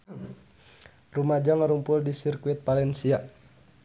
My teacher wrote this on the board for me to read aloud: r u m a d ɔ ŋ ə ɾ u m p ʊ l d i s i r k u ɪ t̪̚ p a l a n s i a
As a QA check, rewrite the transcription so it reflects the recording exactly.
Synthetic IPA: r u m a d͡ʒ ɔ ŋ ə ɾ u m p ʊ l d i s i r k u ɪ t̪̚ p a l ɛ n s i a